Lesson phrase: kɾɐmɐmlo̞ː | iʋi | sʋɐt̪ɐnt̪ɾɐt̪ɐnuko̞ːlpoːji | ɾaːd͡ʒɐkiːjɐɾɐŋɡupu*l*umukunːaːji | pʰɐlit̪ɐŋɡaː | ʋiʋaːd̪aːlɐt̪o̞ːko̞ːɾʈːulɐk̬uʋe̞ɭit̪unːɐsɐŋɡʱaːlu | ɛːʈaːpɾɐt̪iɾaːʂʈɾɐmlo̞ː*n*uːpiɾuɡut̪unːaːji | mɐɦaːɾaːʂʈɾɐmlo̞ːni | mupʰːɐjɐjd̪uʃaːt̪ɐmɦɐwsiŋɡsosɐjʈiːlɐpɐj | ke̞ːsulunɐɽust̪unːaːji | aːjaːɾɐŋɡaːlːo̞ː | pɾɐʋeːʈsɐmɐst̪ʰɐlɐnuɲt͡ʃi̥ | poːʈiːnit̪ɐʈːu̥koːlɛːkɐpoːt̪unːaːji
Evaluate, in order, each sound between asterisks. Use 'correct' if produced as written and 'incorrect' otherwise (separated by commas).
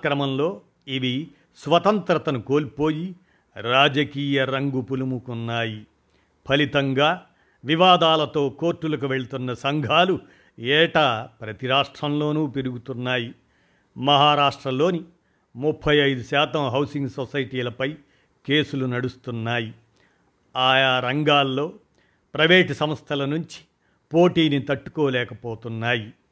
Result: correct, correct